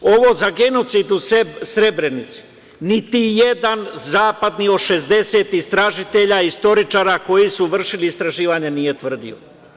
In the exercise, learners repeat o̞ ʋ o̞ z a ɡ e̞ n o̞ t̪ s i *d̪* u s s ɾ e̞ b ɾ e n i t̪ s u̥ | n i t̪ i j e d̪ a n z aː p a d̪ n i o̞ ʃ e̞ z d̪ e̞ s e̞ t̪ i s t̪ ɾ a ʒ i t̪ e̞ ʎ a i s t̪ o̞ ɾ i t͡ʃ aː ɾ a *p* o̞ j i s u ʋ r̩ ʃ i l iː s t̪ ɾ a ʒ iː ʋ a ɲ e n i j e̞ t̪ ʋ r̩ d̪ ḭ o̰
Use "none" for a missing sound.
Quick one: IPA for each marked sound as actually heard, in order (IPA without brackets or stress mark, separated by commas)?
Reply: d̪, k